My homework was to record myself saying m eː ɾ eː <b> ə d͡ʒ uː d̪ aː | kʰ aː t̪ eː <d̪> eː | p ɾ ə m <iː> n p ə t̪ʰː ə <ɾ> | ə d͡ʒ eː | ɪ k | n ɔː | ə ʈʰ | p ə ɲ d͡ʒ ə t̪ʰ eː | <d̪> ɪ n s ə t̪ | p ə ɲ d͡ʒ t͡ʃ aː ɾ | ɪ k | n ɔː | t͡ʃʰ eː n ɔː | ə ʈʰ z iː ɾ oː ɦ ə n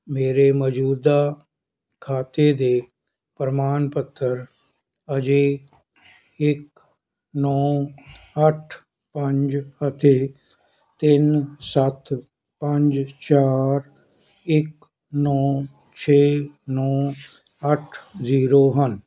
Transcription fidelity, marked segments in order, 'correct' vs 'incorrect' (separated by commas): incorrect, correct, incorrect, correct, incorrect